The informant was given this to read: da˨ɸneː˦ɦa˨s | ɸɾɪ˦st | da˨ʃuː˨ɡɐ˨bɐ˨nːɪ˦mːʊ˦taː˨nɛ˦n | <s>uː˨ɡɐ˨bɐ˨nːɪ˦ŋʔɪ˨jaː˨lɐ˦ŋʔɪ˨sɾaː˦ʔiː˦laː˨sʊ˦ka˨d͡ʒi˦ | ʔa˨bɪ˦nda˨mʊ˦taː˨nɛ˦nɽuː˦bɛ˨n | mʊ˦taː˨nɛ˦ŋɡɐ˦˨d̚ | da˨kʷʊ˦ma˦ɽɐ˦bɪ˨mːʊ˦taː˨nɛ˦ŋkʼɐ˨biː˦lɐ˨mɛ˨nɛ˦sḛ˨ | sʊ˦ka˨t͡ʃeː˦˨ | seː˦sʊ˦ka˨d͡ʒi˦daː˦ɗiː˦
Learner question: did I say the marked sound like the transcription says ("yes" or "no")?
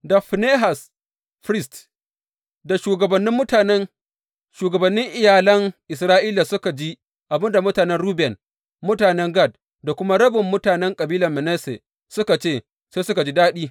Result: no